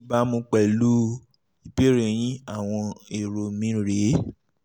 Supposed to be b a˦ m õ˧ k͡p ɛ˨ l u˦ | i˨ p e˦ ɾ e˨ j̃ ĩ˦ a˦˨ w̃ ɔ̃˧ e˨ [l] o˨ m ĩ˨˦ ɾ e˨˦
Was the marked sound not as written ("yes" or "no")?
yes